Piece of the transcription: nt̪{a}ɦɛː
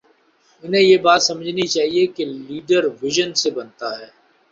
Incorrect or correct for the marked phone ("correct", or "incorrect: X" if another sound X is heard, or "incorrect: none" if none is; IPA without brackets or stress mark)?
correct